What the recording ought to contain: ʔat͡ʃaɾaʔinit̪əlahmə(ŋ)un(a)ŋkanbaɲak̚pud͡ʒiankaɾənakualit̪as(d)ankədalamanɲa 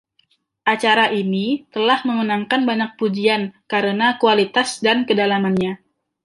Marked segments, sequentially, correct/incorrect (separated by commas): correct, correct, correct